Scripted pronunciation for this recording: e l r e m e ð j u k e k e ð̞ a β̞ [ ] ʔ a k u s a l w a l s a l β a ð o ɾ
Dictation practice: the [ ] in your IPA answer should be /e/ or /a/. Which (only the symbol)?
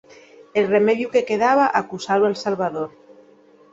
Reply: a